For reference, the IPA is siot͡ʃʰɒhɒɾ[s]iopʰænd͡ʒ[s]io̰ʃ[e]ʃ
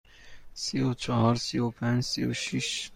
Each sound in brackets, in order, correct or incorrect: correct, correct, incorrect

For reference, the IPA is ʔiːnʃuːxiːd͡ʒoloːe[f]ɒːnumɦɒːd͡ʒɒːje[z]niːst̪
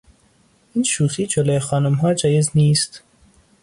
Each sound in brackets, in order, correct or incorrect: incorrect, correct

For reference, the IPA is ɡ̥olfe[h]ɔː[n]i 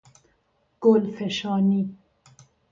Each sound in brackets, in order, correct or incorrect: incorrect, correct

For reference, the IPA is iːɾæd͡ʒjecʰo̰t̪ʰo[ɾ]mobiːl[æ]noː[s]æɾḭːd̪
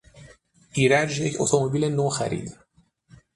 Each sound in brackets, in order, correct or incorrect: incorrect, incorrect, incorrect

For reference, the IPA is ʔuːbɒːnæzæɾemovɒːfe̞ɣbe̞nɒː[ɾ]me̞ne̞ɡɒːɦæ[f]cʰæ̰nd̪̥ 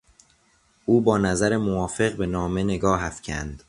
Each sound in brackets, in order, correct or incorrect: incorrect, correct

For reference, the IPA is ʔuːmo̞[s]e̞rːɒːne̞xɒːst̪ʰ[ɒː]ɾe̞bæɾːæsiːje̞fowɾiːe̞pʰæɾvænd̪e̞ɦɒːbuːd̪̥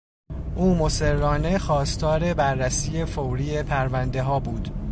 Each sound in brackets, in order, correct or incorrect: correct, correct

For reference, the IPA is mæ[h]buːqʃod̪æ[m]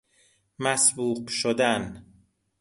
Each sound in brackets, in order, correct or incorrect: incorrect, incorrect

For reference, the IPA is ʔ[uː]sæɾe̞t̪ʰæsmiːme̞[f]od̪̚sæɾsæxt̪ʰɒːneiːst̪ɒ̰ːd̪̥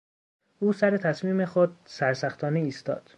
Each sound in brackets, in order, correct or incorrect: correct, incorrect

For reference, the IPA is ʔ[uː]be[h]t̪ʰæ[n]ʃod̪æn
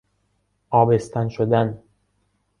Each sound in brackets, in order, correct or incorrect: incorrect, incorrect, correct

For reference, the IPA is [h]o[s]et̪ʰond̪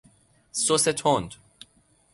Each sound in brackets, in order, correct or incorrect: incorrect, correct

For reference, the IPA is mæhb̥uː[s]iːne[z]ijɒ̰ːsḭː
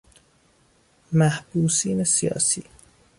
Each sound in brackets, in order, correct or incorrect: correct, incorrect

